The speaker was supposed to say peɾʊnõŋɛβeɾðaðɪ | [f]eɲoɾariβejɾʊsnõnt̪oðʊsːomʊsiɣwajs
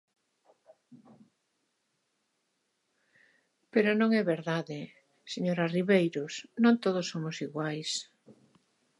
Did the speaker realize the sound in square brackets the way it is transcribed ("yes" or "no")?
no